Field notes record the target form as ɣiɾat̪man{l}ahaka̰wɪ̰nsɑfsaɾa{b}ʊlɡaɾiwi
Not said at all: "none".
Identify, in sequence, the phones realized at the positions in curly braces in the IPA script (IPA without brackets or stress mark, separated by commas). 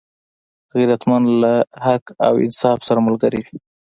l, m